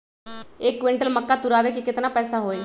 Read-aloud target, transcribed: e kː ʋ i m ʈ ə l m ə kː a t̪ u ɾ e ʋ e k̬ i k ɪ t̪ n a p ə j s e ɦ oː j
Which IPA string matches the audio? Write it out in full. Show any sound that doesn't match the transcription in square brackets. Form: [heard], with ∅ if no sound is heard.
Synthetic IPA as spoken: e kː ʋ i [ɳ] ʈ ə l m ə kː a t̪ u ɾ [a] ʋ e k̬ i k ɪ t̪ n a p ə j s [a] ɦ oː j

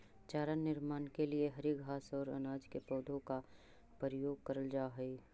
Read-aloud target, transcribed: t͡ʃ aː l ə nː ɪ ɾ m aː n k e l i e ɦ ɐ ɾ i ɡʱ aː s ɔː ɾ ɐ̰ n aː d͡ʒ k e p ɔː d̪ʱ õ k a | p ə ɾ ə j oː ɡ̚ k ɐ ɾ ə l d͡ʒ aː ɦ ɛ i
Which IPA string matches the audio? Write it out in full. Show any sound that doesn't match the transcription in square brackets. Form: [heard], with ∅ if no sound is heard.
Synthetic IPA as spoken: t͡ʃ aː [ɾ] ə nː ɪ ɾ m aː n k e l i e ɦ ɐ ɾ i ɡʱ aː s ɔː ɾ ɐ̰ n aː d͡ʒ k e p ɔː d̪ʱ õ k a | p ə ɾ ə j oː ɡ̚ k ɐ ɾ ə l d͡ʒ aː ɦ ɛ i

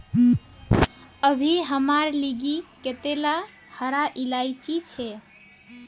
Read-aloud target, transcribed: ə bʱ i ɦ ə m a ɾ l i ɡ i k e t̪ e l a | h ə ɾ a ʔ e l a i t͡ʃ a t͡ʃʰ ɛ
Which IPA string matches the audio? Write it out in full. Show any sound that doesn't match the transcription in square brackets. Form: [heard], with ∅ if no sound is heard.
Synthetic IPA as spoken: ə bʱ i ɦ ə m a ɾ l i ɡ i k e t̪ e l a | h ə ɾ a ʔ [i] l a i t͡ʃ [i] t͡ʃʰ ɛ

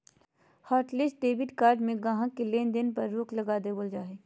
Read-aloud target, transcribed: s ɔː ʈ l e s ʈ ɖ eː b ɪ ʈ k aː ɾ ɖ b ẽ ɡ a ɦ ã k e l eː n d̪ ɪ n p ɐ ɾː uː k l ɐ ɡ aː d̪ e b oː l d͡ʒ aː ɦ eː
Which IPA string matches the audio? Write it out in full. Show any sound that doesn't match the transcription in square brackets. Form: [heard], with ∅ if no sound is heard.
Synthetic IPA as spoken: [h] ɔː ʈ l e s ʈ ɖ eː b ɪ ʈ k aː ɾ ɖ [m] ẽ ɡ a ɦ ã k e l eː n d̪ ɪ n p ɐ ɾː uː k l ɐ ɡ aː d̪ e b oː l d͡ʒ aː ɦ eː

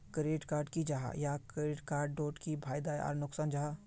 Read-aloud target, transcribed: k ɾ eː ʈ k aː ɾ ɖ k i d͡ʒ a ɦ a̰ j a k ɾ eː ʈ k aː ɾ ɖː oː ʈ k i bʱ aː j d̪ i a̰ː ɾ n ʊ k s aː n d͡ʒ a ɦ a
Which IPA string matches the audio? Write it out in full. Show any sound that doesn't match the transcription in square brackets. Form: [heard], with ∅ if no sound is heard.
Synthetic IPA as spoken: k ɾ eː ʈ k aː ɾ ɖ k i d͡ʒ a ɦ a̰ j a k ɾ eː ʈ k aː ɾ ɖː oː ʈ k i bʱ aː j d̪ [a] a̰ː ɾ n ʊ k s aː n d͡ʒ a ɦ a

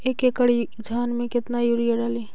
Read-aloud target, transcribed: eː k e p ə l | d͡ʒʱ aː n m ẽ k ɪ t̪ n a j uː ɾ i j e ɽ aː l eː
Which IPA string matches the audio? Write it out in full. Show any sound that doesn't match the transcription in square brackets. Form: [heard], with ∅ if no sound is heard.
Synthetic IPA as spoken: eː k e [k] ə [ɽ] | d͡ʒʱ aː n m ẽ k ɪ t̪ n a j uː ɾ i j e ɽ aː l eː

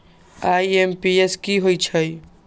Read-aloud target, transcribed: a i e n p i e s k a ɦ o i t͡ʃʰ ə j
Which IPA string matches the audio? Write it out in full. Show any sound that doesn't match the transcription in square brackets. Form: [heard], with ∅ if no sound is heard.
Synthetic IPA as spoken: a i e [m] p i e s k [i] ɦ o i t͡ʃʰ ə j

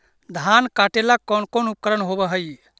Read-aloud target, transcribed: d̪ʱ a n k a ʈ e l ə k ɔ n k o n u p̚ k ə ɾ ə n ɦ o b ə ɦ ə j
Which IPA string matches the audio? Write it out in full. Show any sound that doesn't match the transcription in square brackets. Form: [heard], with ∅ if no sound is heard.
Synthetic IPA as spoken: d̪ʱ a n k a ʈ e l [a] k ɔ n k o n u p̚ k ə ɾ ə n ɦ o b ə ɦ ə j

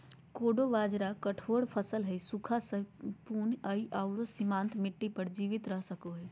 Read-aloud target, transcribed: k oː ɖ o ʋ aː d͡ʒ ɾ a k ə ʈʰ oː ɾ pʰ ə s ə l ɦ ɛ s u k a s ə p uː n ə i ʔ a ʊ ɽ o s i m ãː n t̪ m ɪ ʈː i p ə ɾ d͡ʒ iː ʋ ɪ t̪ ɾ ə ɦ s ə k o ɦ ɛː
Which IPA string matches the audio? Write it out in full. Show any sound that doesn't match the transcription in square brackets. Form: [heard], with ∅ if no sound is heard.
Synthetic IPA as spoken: k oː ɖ o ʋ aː d͡ʒ ɾ a k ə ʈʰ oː [ɽ] pʰ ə s ə l ɦ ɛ s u [kʰ] a s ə p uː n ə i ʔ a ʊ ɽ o s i m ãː n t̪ m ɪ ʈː i p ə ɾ d͡ʒ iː ʋ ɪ t̪ ɾ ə ɦ s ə k o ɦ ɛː

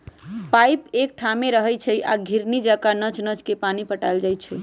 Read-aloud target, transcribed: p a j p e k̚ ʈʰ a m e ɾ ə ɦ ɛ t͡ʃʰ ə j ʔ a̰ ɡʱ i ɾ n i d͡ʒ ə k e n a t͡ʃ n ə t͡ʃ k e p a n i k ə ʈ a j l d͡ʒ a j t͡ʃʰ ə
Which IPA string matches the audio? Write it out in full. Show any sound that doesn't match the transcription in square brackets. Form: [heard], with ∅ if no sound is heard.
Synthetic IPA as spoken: p a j p e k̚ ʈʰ a m e ɾ ə ɦ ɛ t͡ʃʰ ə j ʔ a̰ ɡʱ i ɾ n i d͡ʒ [a] k [a] n [ə] t͡ʃ n ə t͡ʃ k e p a n i [p] ə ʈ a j l d͡ʒ a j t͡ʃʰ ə

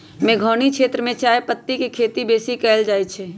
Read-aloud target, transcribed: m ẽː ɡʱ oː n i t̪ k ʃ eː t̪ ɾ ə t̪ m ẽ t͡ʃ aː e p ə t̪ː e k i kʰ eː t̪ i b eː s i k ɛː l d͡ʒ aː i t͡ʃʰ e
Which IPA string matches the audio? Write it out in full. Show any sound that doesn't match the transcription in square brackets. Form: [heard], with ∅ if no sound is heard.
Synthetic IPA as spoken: m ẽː ɡʱ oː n i [∅] k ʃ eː t̪ ɾ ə [∅] m ẽ t͡ʃ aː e p ə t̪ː [i] k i kʰ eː t̪ i b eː s i k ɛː l d͡ʒ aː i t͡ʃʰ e

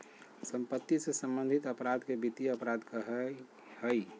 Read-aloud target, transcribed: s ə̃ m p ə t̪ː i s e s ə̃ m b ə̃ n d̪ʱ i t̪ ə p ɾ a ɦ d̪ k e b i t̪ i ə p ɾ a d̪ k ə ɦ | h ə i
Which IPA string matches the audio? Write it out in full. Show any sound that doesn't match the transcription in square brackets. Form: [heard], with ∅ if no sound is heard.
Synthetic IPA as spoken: s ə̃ m p ə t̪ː i s e s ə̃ m b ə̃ n d̪ʱ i t̪ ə p ɾ a [∅] d̪ k e b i t̪ i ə p ɾ a d̪ k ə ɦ | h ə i

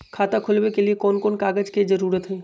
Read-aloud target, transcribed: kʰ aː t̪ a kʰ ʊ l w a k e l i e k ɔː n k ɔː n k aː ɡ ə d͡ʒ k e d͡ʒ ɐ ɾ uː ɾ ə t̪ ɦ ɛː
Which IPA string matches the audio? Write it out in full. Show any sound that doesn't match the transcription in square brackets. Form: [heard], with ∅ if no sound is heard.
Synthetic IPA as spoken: kʰ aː t̪ a kʰ ʊ l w [e] k e l i e k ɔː n k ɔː n k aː ɡ ə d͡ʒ k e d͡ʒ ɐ ɾ uː ɾ ə t̪ ɦ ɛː

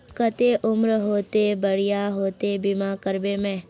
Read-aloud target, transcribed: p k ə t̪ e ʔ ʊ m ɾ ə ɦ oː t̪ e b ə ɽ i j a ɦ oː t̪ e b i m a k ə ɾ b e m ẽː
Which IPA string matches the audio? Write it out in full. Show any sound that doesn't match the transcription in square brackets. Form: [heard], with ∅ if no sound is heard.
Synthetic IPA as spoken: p k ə t̪ e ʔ ʊ m ɾ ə ɦ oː t̪ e b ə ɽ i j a ɦ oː t̪ e b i m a k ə ɾ b e m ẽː

